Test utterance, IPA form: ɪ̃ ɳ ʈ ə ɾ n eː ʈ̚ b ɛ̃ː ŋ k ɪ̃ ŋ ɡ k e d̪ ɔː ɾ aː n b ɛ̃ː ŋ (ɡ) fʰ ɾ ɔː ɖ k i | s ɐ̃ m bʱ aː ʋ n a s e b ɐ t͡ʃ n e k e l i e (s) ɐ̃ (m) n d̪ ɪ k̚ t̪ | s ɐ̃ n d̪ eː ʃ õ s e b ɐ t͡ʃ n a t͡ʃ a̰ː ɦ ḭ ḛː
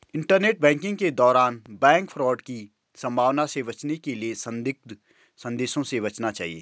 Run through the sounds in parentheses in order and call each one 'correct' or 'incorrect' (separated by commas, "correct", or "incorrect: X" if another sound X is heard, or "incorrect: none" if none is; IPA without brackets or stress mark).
incorrect: k, correct, incorrect: none